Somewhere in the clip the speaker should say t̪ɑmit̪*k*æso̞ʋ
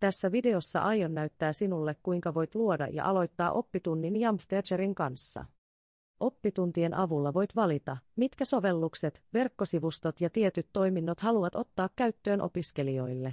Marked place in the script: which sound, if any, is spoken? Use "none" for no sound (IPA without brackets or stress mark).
k